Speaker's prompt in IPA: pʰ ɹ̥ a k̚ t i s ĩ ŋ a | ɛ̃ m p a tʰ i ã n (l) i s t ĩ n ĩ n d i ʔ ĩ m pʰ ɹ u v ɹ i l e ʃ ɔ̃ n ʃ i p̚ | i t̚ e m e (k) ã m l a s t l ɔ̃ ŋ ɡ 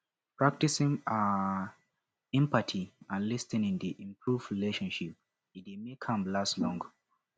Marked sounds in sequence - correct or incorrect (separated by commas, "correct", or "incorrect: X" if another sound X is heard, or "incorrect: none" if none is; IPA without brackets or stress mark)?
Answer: correct, incorrect: kʰ